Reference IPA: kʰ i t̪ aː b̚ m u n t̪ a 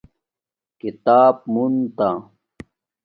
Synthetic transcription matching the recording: k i t̪ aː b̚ m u n t̪ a